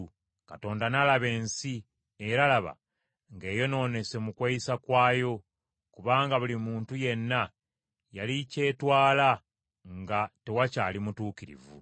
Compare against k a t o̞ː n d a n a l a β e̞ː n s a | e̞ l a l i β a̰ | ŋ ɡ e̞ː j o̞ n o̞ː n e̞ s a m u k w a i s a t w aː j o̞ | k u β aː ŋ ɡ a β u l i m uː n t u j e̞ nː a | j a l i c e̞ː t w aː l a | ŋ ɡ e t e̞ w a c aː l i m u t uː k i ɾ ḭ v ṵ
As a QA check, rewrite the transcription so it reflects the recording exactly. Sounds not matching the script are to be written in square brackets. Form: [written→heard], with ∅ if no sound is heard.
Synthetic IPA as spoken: k a t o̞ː n d a n a l a β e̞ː n s [a→i] | e̞ [l→ɾ] a l [i→a] β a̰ | ŋ ɡ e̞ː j o̞ n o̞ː n e̞ s [a→e] m u k w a i s a [t→k] w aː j o̞ | k u β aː ŋ ɡ a β u l i m uː n t u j e̞ nː a | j a l i c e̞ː t w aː l a | ŋ ɡ [e→a] t e̞ w a c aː l i m u t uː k i ɾ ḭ v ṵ